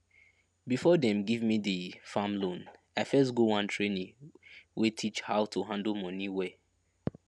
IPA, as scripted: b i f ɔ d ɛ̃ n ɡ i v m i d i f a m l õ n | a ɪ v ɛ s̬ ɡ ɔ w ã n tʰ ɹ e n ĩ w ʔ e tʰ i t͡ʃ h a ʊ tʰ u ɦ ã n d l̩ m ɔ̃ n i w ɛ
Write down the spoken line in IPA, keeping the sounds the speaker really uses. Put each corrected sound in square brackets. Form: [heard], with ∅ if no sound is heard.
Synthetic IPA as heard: b i f ɔ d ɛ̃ [m] ɡ i v m i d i f a m l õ n | a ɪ [f] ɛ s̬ ɡ [o] w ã n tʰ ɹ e n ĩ w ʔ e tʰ i t͡ʃ h a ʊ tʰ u ɦ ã n d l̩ m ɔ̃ n i w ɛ